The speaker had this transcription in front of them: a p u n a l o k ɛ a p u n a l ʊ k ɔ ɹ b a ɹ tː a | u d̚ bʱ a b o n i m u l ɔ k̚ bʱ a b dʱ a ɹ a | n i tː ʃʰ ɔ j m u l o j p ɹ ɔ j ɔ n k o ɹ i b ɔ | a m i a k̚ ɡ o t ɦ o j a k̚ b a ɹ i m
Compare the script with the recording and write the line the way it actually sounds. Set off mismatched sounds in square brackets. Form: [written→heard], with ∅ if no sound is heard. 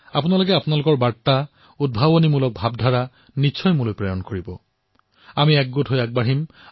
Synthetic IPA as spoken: a p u n a l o k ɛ a p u n a l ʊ k ɔ ɹ b a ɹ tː a | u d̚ bʱ a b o n i m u l ɔ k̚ bʱ a b dʱ a ɹ a | n i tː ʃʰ ɔ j m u l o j p ɹ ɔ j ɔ n k o ɹ i b ɔ | a m i [a→ɛ] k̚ ɡ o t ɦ o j a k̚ b a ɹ i m